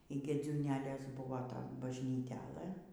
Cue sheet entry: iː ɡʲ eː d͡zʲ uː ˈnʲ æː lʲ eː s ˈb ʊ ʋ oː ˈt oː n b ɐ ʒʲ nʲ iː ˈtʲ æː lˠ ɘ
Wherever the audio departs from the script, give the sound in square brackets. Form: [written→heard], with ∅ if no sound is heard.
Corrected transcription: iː ɡʲ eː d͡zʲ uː ˈnʲ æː lʲ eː s ˈb ʊ ʋ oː ˈt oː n b ɐ ʒʲ nʲ iː ˈtʲ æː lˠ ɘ